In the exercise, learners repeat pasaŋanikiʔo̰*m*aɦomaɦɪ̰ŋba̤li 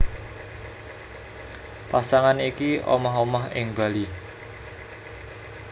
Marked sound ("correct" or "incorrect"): correct